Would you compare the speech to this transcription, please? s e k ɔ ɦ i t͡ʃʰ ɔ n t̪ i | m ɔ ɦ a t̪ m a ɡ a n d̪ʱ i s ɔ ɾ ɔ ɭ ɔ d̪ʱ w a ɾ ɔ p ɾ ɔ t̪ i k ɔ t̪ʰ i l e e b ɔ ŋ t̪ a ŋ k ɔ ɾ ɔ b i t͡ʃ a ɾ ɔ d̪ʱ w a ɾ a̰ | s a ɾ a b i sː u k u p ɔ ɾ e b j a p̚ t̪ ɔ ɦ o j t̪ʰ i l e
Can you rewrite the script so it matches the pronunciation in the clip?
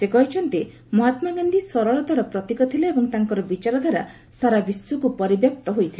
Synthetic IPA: s e k ɔ ɦ i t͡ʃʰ ɔ n t̪ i | m ɔ ɦ a t̪ m a ɡ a n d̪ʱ i s ɔ ɾ ɔ ɭ ɔ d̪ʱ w a ɾ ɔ p ɾ ɔ t̪ i k ɔ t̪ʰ i l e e b ɔ ŋ t̪ a ŋ k ɔ ɾ ɔ b i t͡ʃ a ɾ ɔ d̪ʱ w a ɾ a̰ | s a ɾ a b i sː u k u p ɔ ɾ i b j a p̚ t̪ ɔ ɦ o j t̪ʰ i l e